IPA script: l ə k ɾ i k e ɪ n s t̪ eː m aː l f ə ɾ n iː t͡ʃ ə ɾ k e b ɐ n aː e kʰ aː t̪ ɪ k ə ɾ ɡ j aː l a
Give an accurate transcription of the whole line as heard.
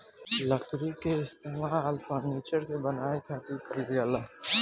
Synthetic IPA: l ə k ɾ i k e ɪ s t̪ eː m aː l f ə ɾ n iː t͡ʃ ə ɾ k e b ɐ n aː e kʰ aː t̪ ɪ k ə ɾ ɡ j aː l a

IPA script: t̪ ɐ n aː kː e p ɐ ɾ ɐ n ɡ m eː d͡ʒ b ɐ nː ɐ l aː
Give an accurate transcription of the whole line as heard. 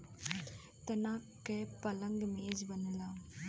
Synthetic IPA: t̪ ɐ n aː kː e p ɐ l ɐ ŋ ɡ m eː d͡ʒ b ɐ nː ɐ l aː

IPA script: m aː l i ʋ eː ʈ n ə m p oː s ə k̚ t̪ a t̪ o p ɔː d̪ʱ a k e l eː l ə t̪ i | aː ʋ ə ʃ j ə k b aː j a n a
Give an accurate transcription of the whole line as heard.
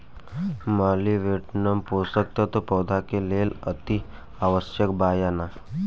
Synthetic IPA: m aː l i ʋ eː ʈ n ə m p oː s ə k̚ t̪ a t̪ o p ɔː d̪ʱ a k e l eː l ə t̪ i | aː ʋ ə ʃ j ə k b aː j a n a

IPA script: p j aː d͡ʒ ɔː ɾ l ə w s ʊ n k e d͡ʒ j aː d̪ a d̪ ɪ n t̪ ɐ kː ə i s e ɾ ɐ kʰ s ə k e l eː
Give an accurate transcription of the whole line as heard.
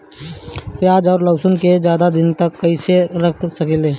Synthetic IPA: p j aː d͡ʒ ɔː ɾ l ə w s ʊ n k e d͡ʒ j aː d̪ a d̪ ɪ n t̪ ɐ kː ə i s e ɾ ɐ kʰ s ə k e l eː

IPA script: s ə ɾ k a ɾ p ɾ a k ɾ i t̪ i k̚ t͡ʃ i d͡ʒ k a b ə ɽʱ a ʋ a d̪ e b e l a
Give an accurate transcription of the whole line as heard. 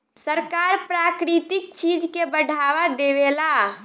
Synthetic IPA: s ə ɾ k a ɾ p ɾ a k ɾ i t̪ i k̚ t͡ʃ i d͡ʒ k e b ə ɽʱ a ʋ a d̪ e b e l a

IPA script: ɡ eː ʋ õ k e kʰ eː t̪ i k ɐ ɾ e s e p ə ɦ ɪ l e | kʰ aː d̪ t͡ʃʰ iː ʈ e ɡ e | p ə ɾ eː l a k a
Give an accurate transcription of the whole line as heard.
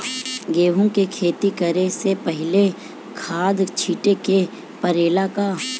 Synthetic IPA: ɡ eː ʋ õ k e kʰ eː t̪ i k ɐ ɾ e s e p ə ɦ ɪ l e | kʰ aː d̪ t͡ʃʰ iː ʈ e k e | p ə ɾ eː l a k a

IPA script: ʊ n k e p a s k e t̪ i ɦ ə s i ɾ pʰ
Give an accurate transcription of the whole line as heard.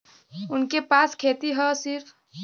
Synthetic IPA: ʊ n k e p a s kʰ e t̪ i ɦ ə s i ɾ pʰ

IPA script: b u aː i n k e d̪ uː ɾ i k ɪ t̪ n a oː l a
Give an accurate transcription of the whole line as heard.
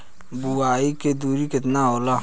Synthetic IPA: b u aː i k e d̪ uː ɾ i k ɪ t̪ n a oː l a

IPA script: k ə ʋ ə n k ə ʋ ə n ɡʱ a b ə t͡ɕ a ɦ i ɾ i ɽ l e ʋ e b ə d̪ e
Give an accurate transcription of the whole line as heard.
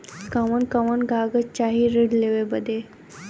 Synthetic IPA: k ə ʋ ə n k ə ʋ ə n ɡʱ a ɡ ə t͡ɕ a ɦ i ɾ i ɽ l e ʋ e b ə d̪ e

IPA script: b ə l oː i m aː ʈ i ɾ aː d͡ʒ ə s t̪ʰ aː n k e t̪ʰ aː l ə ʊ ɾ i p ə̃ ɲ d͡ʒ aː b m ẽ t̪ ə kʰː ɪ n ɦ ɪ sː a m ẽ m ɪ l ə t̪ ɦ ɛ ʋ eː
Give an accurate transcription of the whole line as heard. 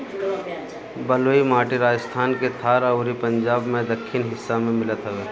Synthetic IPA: b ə l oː i m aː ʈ i ɾ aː d͡ʒ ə s t̪ʰ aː n k e t̪ʰ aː ɾ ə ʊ ɾ i p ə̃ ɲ d͡ʒ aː b m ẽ d̪ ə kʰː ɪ n ɦ ɪ sː a m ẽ m ɪ l ə t̪ ɦ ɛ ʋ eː

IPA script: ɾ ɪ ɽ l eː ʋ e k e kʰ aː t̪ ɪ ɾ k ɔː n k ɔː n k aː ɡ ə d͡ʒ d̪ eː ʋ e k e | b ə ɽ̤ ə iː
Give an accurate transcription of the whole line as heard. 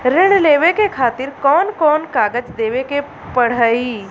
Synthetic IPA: ɾ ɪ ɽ l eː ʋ e k e kʰ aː t̪ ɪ ɾ k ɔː n k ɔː n k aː ɡ ə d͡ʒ d̪ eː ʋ e k e | p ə ɽ̤ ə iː

